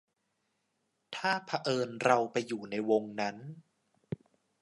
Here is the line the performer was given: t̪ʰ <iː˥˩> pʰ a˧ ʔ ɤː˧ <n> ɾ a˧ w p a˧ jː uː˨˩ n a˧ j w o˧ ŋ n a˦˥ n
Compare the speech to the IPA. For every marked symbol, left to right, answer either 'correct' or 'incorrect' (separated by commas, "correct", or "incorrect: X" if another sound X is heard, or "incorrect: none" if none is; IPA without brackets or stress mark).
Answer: incorrect: aː˥˩, correct